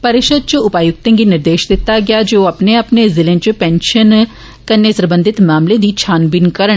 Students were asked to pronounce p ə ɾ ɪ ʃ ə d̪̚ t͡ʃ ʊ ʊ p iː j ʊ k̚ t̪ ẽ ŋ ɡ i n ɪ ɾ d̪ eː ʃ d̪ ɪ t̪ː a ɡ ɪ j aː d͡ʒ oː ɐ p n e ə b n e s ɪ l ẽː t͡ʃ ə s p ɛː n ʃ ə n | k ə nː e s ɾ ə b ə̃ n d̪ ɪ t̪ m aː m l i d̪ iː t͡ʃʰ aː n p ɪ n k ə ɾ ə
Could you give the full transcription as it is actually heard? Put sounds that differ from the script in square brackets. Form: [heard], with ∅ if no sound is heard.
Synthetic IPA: p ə ɾ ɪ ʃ ə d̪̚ t͡ʃ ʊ ʊ p [aː] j ʊ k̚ t̪ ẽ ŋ ɡ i n ɪ ɾ d̪ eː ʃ d̪ ɪ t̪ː a ɡ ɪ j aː d͡ʒ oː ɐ p n e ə [p] n e [z] ɪ l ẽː t͡ʃ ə [∅] p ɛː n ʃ ə n | k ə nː e s ɾ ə b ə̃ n d̪ ɪ t̪ m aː m l [e] d̪ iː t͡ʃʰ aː n [b] ɪ n k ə ɾ ə